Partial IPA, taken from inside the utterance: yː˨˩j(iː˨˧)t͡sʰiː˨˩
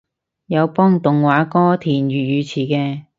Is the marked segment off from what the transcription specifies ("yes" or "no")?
yes